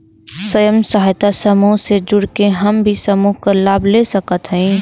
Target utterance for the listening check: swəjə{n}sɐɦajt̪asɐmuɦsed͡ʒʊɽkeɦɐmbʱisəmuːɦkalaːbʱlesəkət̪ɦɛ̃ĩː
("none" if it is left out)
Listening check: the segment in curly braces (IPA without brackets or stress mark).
m